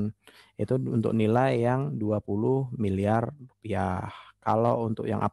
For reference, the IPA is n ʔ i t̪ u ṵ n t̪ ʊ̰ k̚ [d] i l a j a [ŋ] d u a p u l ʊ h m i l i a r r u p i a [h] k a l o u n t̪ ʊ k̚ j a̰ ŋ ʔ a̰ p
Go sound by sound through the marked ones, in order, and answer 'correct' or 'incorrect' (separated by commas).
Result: incorrect, correct, correct